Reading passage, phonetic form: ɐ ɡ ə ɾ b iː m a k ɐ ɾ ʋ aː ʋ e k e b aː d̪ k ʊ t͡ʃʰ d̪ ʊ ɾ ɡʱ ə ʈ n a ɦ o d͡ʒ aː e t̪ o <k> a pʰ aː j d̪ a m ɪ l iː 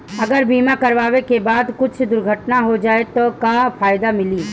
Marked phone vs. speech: correct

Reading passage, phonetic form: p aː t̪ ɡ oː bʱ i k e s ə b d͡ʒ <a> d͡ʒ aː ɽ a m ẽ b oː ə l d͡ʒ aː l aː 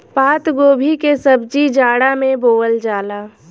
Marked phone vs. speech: incorrect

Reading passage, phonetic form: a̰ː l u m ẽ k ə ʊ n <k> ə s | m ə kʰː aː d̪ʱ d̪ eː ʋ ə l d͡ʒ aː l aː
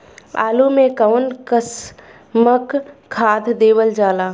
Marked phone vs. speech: correct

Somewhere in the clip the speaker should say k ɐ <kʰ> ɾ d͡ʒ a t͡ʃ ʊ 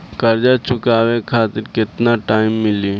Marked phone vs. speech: incorrect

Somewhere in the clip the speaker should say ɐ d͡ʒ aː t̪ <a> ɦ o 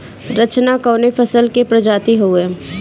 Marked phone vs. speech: incorrect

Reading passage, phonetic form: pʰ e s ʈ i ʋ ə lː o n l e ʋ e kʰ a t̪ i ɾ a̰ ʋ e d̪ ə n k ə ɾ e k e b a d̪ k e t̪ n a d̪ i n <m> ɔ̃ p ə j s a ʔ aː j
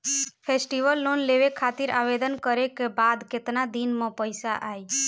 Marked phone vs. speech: correct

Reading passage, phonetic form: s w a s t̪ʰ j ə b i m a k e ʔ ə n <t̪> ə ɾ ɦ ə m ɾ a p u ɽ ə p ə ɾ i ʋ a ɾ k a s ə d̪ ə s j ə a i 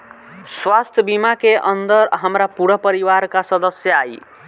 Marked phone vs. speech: incorrect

